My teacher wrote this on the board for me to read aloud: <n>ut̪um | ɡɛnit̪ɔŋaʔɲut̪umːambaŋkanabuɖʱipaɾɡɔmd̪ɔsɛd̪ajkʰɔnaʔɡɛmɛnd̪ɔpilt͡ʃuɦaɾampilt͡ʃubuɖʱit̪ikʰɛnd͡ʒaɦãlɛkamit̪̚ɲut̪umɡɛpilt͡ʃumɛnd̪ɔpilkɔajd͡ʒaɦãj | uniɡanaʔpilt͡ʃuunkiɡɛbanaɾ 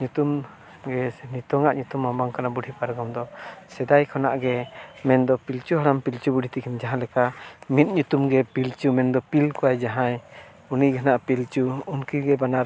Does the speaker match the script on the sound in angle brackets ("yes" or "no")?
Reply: no